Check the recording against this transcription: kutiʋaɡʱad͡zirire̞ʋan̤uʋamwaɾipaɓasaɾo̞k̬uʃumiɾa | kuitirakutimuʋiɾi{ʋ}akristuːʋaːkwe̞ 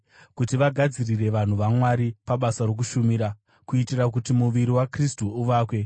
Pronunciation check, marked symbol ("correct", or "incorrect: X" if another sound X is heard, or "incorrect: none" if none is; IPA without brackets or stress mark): incorrect: w